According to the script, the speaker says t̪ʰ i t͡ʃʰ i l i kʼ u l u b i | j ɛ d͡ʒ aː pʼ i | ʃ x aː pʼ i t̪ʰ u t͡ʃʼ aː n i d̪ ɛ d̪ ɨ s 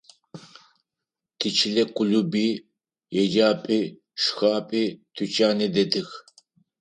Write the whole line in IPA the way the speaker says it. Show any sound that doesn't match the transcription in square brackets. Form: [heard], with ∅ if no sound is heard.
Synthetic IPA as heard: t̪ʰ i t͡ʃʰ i l [ɛ] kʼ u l u b i | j ɛ d͡ʒ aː pʼ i | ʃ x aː pʼ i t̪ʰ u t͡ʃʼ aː n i d̪ ɛ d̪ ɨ [x]